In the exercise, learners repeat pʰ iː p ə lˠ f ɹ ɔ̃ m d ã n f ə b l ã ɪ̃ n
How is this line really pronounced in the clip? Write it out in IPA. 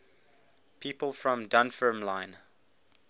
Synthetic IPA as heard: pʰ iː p ə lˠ f ɹ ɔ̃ m d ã n f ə m l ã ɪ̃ n